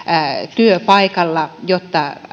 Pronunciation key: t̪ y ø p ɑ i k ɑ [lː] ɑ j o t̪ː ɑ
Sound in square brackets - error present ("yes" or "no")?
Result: no